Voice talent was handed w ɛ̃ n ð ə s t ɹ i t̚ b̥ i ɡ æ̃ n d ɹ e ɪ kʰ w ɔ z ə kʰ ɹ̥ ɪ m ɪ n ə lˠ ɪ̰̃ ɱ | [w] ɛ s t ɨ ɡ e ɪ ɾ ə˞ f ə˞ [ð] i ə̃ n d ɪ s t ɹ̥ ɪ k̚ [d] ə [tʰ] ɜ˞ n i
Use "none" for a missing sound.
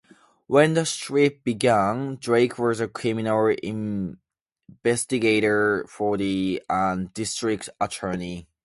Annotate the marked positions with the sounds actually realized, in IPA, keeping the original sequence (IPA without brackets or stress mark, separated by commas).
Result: v, ð, t, tʰ